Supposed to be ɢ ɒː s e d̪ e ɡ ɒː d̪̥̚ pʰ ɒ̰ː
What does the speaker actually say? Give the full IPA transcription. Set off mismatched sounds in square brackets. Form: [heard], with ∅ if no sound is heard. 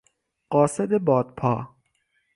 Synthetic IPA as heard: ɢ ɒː s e d̪ e [b] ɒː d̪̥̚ pʰ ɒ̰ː